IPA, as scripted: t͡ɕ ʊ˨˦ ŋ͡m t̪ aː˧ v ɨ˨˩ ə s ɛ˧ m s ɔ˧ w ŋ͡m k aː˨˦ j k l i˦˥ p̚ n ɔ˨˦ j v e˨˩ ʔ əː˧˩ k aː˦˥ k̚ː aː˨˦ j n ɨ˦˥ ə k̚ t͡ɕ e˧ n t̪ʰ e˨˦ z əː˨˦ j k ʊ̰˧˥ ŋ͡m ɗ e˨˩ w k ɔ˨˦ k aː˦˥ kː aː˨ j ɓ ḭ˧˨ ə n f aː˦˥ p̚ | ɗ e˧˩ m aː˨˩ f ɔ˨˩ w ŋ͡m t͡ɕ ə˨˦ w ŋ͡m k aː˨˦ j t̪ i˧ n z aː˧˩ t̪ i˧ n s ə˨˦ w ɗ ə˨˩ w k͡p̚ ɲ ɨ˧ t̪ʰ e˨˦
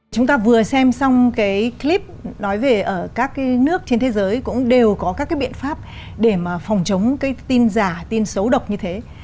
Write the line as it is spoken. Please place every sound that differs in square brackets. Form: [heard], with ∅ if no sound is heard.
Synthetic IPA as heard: t͡ɕ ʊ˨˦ ŋ͡m t̪ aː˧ v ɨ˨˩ ə s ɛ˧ m s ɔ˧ w ŋ͡m k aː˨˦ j k l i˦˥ p̚ n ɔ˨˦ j v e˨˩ ʔ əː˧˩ k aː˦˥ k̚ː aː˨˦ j n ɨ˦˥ ə k̚ t͡ɕ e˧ n t̪ʰ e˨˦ z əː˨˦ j k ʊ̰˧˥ ŋ͡m ɗ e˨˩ w k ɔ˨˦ k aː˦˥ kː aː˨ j ɓ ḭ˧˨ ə n f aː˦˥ p̚ | ɗ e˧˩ m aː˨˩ f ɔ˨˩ w ŋ͡m t͡ɕ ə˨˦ w ŋ͡m k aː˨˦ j t̪ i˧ n z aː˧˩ t̪ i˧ n s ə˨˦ w ɗ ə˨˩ w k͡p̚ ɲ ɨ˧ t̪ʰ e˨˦